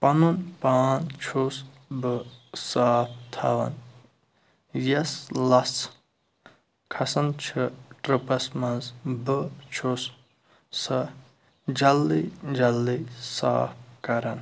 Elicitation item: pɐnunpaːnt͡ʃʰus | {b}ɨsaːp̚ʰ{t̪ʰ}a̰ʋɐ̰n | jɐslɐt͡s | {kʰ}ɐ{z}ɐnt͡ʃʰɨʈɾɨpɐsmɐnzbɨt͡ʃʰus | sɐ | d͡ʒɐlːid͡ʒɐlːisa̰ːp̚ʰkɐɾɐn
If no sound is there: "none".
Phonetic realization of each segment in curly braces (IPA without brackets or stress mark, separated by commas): b, t̪ʰ, kʰ, s